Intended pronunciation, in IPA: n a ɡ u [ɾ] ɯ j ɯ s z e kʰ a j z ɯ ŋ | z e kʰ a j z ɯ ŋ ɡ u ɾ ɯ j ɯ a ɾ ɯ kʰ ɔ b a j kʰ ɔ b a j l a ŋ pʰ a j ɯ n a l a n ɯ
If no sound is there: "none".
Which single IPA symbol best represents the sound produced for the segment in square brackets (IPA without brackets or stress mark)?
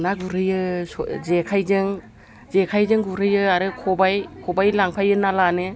ɾ